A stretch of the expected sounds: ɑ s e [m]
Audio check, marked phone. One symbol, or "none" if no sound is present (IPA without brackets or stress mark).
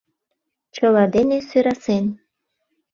n